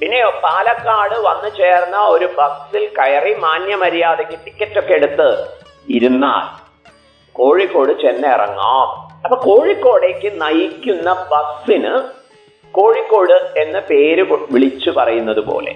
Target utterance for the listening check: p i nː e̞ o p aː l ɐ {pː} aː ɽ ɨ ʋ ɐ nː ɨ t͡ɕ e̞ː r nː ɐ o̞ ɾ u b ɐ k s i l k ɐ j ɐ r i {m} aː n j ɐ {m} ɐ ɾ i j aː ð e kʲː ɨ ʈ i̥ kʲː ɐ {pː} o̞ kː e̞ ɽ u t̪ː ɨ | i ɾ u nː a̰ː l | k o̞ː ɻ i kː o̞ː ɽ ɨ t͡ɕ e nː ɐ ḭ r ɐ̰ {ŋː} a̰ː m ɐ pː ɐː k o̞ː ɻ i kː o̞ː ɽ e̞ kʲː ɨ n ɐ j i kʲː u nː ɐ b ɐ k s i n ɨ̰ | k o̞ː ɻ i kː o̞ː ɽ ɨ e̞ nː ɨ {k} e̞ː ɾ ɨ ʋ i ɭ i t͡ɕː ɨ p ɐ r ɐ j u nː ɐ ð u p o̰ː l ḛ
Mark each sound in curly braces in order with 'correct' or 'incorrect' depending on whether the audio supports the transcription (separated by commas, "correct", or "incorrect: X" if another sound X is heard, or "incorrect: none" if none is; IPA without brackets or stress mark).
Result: incorrect: kː, correct, correct, incorrect: tː, correct, incorrect: p